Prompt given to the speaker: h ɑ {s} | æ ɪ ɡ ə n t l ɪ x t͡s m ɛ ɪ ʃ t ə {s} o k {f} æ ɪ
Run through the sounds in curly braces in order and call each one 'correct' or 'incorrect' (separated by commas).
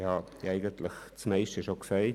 incorrect, incorrect, incorrect